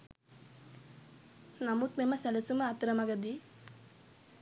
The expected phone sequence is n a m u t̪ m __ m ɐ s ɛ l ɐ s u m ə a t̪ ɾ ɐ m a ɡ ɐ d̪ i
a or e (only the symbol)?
e